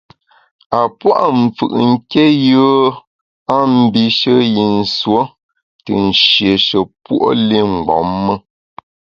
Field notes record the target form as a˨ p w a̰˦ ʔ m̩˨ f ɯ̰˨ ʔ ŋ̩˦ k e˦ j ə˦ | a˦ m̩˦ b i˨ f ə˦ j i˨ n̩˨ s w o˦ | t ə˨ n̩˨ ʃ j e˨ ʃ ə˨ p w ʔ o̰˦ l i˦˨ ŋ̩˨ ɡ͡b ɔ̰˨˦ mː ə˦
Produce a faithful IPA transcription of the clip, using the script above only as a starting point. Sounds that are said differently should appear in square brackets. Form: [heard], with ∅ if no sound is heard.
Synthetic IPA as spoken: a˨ p w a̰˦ ʔ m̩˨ f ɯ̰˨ ʔ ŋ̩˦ k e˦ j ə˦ | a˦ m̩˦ b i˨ [ʃ] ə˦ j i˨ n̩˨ s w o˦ | t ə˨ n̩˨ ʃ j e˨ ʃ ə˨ p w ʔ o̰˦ l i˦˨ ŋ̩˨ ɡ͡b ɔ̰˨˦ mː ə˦